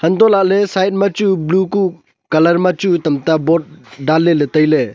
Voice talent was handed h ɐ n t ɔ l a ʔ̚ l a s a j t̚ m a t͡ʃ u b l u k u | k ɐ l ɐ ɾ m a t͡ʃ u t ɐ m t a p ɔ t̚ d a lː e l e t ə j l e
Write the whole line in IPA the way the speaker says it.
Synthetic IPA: h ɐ n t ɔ l a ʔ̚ l e s a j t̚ m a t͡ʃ u b l u k u | k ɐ l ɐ ɾ m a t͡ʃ u t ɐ m t a b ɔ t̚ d a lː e l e t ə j l e